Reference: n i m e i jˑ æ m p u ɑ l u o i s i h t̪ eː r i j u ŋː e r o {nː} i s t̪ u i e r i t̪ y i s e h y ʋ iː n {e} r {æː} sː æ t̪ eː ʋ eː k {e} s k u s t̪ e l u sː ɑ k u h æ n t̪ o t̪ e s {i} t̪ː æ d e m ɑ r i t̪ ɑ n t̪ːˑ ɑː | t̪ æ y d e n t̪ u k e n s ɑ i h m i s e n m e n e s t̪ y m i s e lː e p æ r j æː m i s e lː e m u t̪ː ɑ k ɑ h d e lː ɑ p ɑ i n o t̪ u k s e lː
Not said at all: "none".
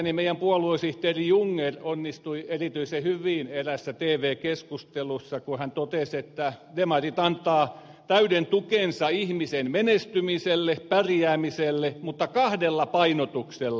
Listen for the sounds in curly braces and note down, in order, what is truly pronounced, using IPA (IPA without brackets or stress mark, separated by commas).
nː, e, æ, e, e